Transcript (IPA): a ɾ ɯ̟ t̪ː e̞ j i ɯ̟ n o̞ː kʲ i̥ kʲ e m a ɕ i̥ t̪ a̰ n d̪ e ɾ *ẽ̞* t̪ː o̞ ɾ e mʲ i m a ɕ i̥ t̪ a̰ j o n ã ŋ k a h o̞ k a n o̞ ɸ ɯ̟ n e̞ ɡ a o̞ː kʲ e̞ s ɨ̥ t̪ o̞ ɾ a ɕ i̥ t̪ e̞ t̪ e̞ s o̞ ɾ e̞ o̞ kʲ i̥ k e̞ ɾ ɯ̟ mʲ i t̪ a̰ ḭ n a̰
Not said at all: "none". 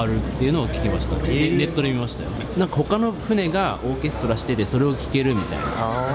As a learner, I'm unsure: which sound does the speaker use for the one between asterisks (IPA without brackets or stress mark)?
e̞